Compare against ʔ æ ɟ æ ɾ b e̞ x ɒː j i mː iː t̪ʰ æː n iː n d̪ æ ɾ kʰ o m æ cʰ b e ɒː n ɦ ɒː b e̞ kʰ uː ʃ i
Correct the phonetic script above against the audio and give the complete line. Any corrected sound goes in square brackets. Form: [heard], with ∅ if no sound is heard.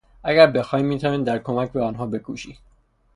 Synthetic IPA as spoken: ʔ æ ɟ æ ɾ b e̞ x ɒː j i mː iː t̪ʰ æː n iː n d̪ æ ɾ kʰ o m æ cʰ b e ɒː n ɦ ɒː b e̞ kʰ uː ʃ i

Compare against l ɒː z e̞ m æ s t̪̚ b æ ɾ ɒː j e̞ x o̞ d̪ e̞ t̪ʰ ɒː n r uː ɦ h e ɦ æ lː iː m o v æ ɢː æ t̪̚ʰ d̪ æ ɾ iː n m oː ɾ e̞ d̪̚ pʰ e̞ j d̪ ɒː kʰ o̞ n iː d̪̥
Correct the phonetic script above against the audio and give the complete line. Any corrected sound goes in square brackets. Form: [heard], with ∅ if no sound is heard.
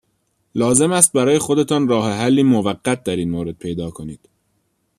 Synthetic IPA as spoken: l ɒː z e̞ m æ s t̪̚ b æ ɾ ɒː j e̞ x o̞ d̪ e̞ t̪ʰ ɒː n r [ɒː] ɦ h e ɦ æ lː iː m o v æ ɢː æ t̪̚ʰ d̪ æ ɾ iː n m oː ɾ e̞ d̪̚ pʰ e̞ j d̪ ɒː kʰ o̞ n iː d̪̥

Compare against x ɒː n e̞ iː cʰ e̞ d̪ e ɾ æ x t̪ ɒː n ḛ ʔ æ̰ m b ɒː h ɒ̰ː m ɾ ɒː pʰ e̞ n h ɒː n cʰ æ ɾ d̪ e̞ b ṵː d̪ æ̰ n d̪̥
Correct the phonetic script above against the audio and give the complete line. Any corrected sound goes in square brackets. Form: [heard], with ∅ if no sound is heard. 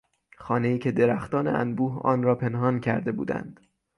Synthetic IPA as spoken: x ɒː n e̞ iː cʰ e̞ d̪ e ɾ æ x t̪ ɒː n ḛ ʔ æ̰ [n] b [uː] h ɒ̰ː [n] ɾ ɒː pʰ e̞ n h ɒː n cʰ æ ɾ d̪ e̞ b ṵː d̪ æ̰ n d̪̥

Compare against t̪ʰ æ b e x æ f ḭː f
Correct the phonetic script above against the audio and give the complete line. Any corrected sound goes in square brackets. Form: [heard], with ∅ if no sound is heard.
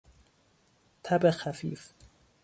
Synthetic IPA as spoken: t̪ʰ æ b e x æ f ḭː f

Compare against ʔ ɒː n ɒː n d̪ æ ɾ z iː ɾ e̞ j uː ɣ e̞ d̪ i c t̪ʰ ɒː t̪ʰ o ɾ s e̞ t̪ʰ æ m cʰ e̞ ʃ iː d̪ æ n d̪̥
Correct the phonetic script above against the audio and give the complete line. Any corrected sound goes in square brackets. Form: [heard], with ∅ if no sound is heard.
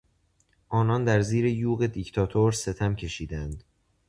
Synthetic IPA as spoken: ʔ ɒː n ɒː n d̪ æ ɾ z iː ɾ e̞ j uː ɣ e̞ d̪ i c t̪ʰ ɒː t̪ʰ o ɾ s e̞ t̪ʰ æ m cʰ e̞ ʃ iː d̪ æ n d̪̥

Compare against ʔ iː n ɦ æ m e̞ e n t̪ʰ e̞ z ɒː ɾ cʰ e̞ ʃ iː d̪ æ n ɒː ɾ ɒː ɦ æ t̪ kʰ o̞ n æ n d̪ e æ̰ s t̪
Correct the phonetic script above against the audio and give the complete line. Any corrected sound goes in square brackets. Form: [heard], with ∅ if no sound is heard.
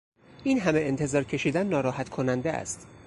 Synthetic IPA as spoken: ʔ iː n ɦ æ m e̞ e n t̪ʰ e̞ z ɒː ɾ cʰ e̞ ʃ iː d̪ æ [nː] ɒː ɾ ɒː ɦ æ t̪ kʰ o̞ n æ n d̪ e æ̰ s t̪

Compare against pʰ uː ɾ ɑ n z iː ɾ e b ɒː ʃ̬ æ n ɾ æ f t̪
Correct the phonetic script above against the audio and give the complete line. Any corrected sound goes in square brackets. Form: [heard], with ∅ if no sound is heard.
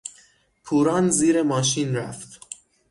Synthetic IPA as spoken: pʰ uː ɾ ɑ n z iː ɾ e [m] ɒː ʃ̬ [i] n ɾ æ f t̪

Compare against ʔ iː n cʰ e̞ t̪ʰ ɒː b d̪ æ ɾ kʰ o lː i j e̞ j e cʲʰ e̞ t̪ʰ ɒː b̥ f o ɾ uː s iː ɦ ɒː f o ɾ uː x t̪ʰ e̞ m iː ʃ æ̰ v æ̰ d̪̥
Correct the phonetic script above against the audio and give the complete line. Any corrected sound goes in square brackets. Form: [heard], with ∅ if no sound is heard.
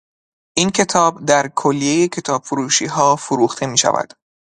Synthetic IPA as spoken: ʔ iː n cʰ e̞ t̪ʰ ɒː b d̪ æ ɾ kʰ o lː i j e̞ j e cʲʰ e̞ t̪ʰ ɒː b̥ f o ɾ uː [ʃ] iː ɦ ɒː f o ɾ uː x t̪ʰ e̞ m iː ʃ æ̰ v æ̰ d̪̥

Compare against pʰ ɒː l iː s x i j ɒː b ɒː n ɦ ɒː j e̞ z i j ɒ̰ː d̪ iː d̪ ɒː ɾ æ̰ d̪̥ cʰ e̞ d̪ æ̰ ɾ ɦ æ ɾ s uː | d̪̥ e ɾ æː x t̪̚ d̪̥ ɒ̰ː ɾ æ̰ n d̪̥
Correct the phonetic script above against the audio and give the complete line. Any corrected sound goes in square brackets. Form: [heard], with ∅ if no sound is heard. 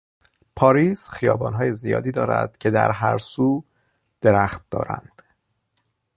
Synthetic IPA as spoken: pʰ ɒː [ɾ] iː s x i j ɒː b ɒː n ɦ ɒː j e̞ z i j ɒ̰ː d̪ iː d̪ ɒː ɾ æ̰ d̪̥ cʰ e̞ d̪ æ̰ ɾ ɦ æ ɾ s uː | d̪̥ e ɾ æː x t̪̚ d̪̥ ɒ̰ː ɾ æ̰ n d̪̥

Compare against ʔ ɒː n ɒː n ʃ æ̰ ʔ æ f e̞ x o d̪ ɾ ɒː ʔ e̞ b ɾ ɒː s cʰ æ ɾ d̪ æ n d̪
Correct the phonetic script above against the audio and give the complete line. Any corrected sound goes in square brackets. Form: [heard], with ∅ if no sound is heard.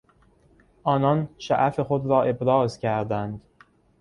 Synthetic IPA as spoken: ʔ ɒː n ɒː n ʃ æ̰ ʔ æ f e̞ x o d̪ ɾ ɒː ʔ e̞ b ɾ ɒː [z] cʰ æ ɾ d̪ æ n d̪

